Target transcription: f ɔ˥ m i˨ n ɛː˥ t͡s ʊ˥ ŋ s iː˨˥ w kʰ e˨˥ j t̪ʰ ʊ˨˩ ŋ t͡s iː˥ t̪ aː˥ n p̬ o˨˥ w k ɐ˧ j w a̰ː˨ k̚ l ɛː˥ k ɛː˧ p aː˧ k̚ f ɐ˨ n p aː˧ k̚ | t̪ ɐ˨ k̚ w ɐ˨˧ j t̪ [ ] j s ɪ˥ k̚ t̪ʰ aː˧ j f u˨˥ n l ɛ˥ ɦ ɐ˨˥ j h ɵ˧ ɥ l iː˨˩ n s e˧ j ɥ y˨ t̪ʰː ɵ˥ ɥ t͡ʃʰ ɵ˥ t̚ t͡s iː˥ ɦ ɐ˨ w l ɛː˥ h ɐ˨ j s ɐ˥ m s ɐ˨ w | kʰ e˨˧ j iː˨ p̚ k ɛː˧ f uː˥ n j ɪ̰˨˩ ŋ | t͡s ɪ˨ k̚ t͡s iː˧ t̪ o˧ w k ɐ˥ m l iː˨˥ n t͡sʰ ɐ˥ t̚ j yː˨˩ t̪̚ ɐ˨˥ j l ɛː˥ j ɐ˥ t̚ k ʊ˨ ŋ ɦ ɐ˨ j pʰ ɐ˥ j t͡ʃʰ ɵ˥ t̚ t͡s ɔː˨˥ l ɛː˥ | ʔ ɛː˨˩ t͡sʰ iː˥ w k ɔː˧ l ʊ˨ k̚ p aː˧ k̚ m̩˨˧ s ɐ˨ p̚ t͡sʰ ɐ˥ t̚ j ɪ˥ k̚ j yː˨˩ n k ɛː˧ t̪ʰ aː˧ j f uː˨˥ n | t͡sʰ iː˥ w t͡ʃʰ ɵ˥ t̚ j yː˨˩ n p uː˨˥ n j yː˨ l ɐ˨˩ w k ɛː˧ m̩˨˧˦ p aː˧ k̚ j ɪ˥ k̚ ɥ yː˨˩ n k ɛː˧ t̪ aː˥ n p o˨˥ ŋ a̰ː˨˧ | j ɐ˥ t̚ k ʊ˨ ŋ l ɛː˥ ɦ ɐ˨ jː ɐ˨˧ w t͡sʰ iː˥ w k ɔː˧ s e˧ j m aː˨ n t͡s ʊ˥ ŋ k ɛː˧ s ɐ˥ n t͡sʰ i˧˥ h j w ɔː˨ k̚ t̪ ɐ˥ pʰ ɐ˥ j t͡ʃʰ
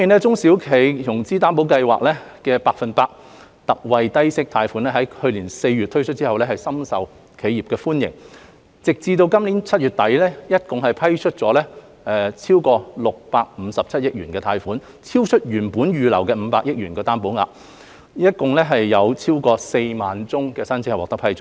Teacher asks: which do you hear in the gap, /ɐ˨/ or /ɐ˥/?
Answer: ɐ˥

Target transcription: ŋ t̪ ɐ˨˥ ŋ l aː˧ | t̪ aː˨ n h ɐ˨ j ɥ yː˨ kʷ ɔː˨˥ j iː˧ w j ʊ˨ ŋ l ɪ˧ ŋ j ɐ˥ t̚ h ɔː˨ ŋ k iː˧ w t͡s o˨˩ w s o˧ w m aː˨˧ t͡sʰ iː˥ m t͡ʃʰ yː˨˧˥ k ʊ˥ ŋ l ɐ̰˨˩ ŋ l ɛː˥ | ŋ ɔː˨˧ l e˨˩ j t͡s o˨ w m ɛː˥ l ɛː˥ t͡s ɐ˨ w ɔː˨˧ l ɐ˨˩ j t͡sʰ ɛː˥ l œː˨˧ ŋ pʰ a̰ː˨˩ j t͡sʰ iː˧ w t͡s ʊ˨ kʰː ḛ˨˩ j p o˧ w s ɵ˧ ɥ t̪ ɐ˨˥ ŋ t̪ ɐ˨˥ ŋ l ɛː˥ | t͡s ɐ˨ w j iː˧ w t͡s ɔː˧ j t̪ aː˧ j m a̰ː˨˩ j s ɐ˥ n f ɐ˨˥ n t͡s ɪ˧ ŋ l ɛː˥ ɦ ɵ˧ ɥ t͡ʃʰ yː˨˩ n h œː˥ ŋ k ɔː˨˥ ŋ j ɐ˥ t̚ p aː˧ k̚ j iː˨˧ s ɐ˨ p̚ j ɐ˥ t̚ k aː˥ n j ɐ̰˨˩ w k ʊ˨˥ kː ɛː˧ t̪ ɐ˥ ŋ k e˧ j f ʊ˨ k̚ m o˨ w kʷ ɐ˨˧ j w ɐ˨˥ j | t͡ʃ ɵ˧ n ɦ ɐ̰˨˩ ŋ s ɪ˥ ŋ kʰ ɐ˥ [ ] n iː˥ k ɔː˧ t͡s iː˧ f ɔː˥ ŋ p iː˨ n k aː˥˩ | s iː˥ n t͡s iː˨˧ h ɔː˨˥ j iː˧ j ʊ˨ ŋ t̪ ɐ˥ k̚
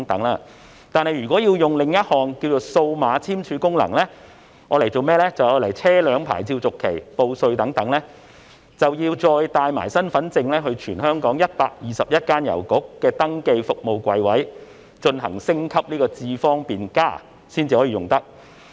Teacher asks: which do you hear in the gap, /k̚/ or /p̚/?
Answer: p̚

